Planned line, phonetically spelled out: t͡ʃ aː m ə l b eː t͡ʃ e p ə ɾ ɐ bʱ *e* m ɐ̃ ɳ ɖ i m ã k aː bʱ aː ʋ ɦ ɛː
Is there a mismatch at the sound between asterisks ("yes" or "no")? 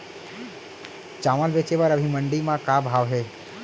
yes